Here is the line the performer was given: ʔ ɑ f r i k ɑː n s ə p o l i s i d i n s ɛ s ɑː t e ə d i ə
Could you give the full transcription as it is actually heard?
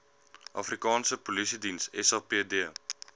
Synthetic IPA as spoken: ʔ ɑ f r i k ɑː n s ə p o l i s i d i n s ɛ s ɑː p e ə d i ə